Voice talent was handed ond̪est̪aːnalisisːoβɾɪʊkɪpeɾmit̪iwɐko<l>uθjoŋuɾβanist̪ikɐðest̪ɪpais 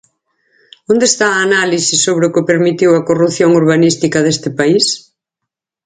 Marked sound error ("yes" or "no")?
yes